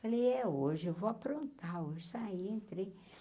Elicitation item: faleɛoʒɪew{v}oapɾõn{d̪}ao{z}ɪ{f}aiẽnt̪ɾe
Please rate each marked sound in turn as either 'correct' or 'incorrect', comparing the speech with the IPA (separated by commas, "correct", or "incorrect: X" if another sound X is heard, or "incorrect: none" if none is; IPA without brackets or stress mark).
correct, incorrect: t̪, incorrect: ʒ, incorrect: s